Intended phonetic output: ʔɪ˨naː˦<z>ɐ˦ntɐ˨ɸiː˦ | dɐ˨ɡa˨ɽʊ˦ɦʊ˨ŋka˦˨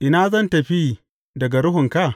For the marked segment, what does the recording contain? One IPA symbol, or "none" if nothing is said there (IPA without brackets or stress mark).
z